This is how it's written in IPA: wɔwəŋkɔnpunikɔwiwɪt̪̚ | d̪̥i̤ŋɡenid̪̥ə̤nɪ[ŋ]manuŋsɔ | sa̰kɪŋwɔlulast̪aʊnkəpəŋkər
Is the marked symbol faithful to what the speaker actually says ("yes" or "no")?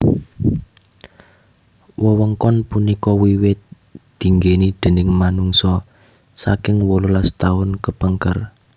yes